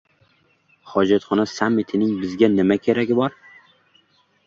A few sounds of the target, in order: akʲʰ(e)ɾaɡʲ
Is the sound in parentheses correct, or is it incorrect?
correct